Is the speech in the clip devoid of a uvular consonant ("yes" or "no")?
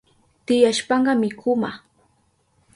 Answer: no